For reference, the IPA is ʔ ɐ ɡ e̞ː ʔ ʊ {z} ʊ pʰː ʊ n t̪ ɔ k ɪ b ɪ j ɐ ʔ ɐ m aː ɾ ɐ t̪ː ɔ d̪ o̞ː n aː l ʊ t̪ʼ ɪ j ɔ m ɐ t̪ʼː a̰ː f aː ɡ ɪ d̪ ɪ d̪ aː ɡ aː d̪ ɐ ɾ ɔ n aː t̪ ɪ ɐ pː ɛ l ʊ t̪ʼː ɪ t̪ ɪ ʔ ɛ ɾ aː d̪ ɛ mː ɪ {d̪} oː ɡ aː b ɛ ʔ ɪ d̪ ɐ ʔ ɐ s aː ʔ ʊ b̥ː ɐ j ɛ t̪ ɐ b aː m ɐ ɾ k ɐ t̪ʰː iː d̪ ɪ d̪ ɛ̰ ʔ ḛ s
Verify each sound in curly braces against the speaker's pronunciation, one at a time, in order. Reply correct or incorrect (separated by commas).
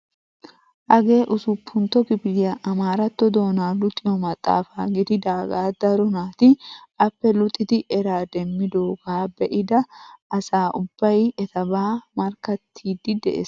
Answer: incorrect, correct